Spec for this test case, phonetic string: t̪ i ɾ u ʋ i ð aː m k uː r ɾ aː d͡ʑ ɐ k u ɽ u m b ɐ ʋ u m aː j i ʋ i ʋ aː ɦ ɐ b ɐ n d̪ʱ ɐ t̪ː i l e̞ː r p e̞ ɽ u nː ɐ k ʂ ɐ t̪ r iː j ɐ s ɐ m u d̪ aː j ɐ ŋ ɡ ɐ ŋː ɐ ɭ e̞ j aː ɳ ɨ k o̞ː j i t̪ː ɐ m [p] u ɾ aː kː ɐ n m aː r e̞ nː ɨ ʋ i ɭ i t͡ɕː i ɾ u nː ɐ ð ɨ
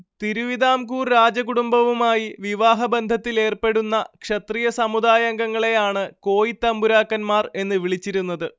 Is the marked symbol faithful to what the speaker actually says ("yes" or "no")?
no